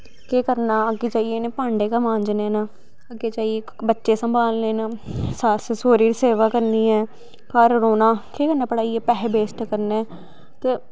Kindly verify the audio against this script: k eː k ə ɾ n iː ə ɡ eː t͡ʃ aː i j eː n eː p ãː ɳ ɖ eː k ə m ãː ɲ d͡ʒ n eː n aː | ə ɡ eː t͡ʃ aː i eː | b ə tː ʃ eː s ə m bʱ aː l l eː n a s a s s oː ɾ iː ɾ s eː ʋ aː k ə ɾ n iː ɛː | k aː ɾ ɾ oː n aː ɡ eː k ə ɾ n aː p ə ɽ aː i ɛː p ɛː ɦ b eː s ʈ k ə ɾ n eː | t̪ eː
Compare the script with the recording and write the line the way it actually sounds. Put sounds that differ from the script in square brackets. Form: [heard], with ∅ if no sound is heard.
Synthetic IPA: k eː k ə ɾ n [aː] ə ɡ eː t͡ʃ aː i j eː n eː p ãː ɳ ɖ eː k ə m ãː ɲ d͡ʒ n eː n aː | ə ɡ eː t͡ʃ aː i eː | b ə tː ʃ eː s ə m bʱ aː l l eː n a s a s s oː ɾ iː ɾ s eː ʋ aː k ə ɾ n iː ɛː | k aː ɾ ɾ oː n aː [k] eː k ə ɾ n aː p ə ɽ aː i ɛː p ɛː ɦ b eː s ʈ k ə ɾ n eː | t̪ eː